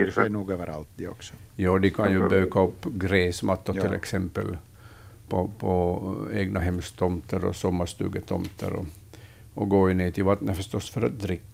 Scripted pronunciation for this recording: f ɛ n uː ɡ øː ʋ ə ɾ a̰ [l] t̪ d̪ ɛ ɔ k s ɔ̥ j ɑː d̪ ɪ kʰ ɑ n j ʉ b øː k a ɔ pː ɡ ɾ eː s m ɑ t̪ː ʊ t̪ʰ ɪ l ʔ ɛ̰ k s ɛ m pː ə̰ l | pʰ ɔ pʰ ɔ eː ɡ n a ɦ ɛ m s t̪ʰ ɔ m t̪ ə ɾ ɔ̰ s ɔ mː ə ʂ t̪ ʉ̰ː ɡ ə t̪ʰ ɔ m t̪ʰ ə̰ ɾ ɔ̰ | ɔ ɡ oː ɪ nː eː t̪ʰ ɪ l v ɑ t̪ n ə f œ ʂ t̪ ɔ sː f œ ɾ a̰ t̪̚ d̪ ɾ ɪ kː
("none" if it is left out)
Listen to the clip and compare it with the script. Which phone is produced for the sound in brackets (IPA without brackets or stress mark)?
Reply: l